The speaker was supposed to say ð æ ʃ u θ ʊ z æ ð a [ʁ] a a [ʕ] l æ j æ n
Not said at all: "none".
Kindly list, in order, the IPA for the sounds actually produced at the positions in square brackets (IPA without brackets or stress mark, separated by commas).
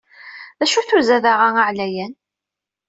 ʁ, ʕ